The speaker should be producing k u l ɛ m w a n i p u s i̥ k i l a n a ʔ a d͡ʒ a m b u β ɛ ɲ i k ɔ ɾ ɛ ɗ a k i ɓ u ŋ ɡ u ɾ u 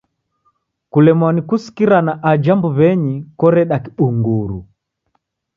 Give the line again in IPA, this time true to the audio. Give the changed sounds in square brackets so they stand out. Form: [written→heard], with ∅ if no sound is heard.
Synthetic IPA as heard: k u l ɛ m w a n i [p→k] u s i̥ k i [l→ɾ] a n a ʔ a d͡ʒ a m b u β ɛ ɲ i k ɔ ɾ ɛ ɗ a k i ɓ u ŋ ɡ u ɾ u